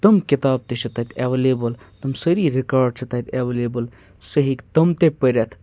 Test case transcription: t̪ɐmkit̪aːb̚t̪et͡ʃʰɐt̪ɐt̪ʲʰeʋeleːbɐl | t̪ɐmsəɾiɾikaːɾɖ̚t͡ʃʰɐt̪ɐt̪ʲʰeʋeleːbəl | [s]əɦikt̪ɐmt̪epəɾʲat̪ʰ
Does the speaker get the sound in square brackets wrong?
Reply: no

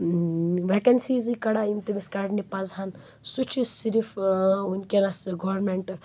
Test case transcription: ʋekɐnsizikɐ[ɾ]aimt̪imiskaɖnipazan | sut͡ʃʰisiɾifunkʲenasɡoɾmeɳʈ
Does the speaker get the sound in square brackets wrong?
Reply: yes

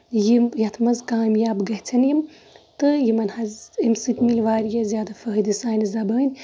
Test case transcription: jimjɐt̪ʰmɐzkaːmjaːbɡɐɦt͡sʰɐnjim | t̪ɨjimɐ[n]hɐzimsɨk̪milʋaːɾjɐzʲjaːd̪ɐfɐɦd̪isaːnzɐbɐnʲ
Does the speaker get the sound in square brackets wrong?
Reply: no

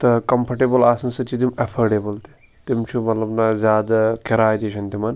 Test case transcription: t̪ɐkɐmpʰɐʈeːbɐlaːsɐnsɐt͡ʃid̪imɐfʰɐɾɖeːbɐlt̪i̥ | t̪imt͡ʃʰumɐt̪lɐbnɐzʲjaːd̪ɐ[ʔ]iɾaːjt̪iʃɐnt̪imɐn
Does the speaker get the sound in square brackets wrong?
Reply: yes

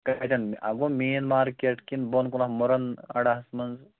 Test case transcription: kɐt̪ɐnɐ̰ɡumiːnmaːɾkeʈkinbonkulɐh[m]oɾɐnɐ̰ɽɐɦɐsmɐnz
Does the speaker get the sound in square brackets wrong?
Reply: no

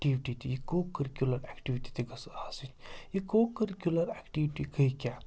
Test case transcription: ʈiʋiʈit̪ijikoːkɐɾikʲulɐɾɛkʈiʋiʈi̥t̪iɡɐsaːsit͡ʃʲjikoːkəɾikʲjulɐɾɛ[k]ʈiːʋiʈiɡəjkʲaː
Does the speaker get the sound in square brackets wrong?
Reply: no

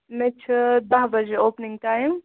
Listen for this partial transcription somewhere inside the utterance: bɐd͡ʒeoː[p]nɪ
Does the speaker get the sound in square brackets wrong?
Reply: no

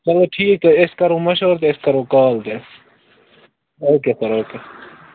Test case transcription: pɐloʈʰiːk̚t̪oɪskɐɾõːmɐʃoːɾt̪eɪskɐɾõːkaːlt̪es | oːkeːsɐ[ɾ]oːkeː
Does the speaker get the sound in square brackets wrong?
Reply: no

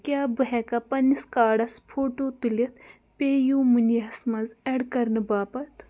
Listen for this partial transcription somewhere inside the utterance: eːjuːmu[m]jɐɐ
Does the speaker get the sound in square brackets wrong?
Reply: yes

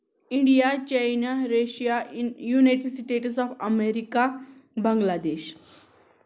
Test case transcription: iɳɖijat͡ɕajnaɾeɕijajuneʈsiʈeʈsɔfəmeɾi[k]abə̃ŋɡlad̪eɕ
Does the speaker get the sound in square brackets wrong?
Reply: no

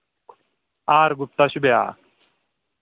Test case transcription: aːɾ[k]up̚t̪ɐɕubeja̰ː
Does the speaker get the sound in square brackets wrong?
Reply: yes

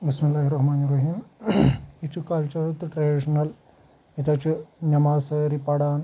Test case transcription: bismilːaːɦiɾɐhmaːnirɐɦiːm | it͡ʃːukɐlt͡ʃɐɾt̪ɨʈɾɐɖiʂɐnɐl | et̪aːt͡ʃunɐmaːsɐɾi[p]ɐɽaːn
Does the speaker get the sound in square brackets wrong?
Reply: no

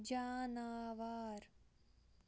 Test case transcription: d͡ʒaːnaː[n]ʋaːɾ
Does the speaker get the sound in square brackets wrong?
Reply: yes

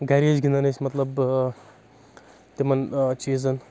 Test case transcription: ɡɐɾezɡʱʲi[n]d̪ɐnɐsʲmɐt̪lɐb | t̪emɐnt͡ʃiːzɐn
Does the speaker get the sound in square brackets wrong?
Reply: no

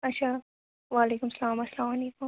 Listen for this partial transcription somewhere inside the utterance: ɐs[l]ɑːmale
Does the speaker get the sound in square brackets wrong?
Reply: no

